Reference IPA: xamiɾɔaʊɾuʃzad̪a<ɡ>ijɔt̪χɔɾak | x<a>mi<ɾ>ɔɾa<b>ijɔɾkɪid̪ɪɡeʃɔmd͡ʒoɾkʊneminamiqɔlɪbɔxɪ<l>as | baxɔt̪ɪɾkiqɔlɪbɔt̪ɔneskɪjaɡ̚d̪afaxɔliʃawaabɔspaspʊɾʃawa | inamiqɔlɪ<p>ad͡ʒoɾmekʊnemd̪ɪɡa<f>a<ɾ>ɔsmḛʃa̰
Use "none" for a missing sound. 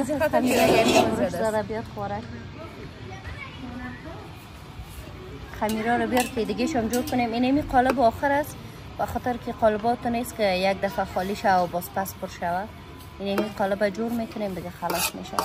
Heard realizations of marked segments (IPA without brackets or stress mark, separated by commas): b, a, ɾ, b, ɾ, b, x, l